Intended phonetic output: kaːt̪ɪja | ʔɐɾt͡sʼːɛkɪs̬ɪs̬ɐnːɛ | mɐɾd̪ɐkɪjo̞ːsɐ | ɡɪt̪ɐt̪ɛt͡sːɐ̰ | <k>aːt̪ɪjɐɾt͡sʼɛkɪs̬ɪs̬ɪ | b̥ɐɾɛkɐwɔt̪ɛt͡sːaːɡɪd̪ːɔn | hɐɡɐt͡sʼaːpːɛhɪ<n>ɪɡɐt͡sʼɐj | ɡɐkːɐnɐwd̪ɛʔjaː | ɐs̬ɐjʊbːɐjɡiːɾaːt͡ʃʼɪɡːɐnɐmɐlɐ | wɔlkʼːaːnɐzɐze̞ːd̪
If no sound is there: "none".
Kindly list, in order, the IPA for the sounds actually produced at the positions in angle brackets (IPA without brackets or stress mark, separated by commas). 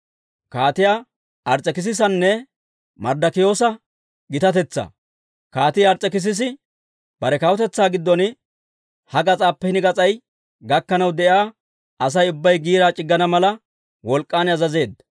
k, n